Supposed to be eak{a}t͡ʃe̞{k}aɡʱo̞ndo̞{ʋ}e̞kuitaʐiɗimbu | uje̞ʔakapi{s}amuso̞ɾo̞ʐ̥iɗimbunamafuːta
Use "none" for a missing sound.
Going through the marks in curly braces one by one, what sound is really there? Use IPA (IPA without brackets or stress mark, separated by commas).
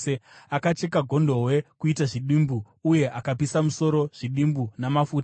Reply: a, k, w, s